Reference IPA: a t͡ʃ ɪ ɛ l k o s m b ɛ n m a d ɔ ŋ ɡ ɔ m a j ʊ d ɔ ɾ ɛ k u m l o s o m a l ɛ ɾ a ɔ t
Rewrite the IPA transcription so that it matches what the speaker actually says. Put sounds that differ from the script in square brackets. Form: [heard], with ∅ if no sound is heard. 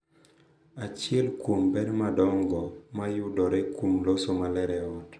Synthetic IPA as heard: a t͡ʃ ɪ ɛ l k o [∅] m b ɛ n m a d ɔ ŋ ɡ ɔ m a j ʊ d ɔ ɾ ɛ k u m l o s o m a l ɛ ɾ [ɛ] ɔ t

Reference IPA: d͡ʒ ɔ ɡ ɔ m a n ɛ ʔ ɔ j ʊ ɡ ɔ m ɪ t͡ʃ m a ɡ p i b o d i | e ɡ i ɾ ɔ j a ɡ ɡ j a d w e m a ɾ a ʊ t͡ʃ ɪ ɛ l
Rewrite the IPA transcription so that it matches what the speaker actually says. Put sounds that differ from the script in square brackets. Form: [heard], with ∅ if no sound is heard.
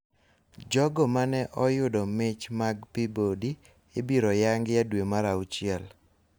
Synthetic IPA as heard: d͡ʒ ɔ ɡ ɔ m a n ɛ ʔ ɔ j ʊ [d] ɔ m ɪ t͡ʃ m a ɡ p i b o d i | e [b] i ɾ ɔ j a [ŋ] ɡ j a d w e m a ɾ a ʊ t͡ʃ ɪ ɛ l

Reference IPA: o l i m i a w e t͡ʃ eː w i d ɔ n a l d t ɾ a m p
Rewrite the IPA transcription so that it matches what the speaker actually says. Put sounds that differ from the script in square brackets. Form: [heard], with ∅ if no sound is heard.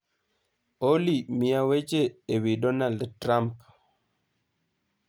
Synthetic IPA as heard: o l i m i a w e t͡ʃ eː w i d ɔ n a l d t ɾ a m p

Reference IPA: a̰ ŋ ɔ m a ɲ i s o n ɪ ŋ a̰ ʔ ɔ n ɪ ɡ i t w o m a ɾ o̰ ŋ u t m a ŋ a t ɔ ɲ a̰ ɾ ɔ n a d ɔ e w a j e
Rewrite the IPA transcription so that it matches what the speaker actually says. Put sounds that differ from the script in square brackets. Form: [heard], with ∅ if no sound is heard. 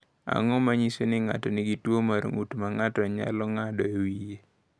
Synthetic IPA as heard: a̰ ŋ ɔ m a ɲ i s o n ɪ ŋ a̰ [t] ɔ n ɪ ɡ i t w o m a ɾ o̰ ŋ u t m a ŋ a t ɔ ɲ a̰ [l] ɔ [ŋ] a d ɔ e w [i] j e

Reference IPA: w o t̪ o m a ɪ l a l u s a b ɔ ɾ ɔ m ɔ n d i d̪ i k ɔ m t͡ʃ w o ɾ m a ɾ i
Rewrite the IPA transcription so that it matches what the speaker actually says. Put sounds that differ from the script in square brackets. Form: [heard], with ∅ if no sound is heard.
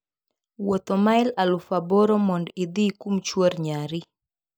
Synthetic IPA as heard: w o t̪ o m a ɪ l a l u [f] a b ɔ ɾ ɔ m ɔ n d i d̪ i k [u] m t͡ʃ w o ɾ [ɲ] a ɾ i

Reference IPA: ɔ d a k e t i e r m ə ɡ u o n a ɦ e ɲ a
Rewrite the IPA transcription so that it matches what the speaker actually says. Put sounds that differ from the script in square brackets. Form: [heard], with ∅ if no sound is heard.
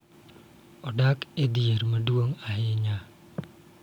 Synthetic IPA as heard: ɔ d a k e [d] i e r m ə [d] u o [ŋ] a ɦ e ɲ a

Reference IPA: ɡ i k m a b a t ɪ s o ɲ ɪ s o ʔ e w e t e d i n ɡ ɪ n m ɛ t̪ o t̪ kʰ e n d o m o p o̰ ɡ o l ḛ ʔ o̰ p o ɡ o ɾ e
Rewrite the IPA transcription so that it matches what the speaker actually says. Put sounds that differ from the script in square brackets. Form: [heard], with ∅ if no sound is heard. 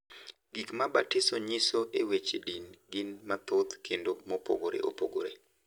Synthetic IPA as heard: ɡ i k m a b a t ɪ s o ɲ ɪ s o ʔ e w e [t͡ʃ] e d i n ɡ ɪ n m [a] t̪ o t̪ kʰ e n d o m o p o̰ ɡ o [ɾ] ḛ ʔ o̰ p o ɡ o ɾ e

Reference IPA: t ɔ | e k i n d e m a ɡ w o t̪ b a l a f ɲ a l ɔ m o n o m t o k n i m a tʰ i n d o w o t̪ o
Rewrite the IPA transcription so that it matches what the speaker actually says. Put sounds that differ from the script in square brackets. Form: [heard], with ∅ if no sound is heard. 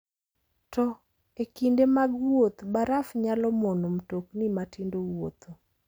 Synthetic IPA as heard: t ɔ | e k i n d e m a ɡ w o t̪ b a [ɾ] a f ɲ a l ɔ m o n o m t o k n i m a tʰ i n d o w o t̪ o

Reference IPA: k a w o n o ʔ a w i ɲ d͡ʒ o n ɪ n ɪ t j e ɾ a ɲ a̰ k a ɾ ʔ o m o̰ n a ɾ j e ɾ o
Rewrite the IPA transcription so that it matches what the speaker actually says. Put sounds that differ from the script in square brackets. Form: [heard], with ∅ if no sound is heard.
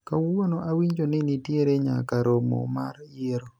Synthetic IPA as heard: k a w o n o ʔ a w i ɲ d͡ʒ o n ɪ n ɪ t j e ɾ [e] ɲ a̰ k a ɾ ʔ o m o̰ [m] a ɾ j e ɾ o

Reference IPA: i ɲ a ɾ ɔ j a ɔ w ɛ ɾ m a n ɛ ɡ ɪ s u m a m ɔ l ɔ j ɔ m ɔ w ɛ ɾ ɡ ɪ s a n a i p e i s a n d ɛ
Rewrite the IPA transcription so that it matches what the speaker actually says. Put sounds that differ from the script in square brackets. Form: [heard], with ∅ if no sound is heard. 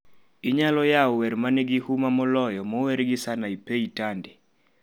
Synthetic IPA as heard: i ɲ a [l] ɔ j a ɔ w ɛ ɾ m a n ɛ ɡ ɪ [h] u m a m ɔ l ɔ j ɔ m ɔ w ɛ ɾ ɡ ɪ s a n a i p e i [t] a n d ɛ

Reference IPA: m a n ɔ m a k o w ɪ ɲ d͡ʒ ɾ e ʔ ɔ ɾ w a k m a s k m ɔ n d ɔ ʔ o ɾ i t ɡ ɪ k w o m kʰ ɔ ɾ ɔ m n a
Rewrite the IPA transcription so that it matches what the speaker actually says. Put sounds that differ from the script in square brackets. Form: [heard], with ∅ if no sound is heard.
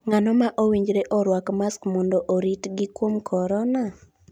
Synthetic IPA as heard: [ŋ] a n ɔ m a [ʔ] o w [i] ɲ d͡ʒ ɾ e ʔ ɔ ɾ w a k m a s k m ɔ n d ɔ ʔ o ɾ i t ɡ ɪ k w o m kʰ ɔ ɾ ɔ [∅] n a

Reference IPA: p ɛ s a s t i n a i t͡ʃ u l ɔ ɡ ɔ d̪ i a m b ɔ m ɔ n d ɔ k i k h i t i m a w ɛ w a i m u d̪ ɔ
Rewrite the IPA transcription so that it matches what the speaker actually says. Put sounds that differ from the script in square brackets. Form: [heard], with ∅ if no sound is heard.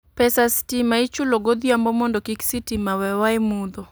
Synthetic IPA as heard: p ɛ s a s t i [m] a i t͡ʃ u l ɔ ɡ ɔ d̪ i a m b ɔ m ɔ n d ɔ k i k [s] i t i m a w ɛ w a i m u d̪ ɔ

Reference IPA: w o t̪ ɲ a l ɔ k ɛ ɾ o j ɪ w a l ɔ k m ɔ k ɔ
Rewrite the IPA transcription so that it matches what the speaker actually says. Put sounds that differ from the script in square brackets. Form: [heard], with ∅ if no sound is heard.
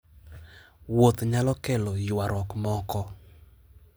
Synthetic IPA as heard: w o t̪ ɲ a l ɔ k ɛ [l] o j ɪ w a [ɾ] ɔ k m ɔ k ɔ

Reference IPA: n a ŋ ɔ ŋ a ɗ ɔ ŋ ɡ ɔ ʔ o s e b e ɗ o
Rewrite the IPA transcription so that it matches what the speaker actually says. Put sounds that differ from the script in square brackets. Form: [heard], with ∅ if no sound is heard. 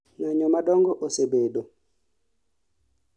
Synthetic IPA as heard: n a [ɲ] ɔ [m] a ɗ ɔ ŋ ɡ ɔ ʔ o s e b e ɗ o

